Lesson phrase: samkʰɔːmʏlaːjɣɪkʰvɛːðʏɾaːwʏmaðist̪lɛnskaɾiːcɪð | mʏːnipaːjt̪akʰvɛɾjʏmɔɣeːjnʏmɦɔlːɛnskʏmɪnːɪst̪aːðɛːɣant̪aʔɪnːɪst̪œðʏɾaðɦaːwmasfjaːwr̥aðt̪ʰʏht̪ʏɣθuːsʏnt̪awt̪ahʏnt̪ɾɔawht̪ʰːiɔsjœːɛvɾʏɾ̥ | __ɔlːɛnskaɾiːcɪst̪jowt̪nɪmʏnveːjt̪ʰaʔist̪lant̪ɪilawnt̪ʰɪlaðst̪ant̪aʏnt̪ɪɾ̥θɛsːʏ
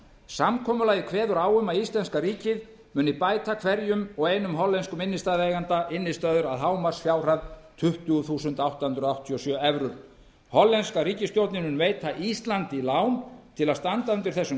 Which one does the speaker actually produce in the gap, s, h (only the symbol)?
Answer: h